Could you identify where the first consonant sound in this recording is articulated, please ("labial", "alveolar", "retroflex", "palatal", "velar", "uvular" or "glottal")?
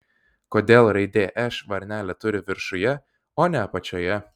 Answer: velar